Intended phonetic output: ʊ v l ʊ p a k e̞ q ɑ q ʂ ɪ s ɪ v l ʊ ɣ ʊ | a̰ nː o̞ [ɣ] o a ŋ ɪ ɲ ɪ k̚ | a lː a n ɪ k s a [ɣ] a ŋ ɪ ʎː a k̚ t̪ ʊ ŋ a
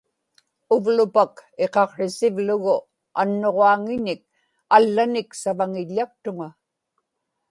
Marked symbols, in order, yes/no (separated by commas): no, no